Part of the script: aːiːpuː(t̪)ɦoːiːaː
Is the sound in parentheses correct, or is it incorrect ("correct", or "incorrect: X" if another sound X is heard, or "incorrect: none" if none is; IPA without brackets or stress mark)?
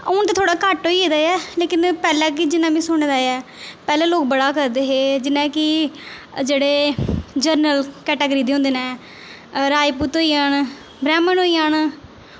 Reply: correct